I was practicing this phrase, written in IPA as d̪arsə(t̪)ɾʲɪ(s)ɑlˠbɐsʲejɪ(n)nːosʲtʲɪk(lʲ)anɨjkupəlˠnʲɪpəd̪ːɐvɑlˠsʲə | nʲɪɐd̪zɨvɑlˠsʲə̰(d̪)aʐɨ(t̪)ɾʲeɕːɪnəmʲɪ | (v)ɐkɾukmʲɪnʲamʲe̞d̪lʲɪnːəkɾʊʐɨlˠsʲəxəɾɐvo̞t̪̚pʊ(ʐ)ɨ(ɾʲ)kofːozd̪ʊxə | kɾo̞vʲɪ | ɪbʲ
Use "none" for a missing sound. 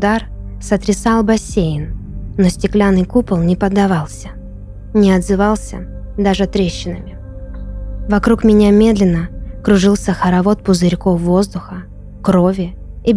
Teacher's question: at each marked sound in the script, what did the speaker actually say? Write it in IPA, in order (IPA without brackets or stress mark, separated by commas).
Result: t̪, s, n, lʲ, d̪, t̪, v, z, ɾʲ